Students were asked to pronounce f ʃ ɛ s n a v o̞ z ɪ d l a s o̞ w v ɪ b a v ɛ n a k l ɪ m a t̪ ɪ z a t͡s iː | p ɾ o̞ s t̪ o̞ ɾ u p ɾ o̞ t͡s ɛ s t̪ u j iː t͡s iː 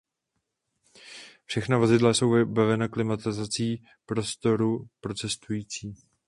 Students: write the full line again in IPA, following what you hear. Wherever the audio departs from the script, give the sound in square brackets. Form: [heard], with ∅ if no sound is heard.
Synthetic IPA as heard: f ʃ ɛ [x] n a v o̞ z ɪ d l a s o̞ w v ɪ b a v ɛ n a k l ɪ m a t̪ ɪ z a t͡s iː | p ɾ o̞ s t̪ o̞ ɾ u p ɾ o̞ t͡s ɛ s t̪ u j iː t͡s iː